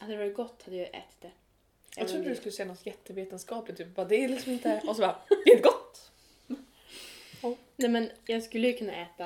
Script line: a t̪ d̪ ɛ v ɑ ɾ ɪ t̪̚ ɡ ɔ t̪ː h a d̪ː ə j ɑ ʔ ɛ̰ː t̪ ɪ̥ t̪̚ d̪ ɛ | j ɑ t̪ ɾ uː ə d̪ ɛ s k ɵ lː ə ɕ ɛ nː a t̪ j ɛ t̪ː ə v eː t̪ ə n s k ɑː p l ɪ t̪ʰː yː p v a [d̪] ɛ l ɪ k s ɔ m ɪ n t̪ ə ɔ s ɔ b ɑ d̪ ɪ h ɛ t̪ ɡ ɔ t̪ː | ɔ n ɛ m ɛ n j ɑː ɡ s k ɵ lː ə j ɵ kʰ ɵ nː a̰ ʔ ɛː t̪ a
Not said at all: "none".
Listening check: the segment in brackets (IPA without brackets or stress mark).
d̪